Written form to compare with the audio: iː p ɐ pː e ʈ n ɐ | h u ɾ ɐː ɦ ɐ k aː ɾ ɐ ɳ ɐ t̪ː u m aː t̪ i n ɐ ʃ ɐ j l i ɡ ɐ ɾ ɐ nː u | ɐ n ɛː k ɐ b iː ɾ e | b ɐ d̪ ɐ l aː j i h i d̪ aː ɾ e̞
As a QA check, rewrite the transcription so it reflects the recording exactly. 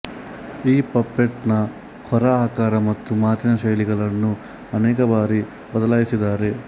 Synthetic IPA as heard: iː p ɐ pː e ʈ n ɐ | h ɔ ɾ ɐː ɦ ɐ k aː ɾ ɐ m ɐ t̪ː u m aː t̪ i n ɐ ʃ ɐ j l i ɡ ɐ ɭ ɐ nː u | ɐ n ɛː k ɐ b aː ɾ i | b ɐ d̪ ɐ l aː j i s i d̪ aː ɾ e̞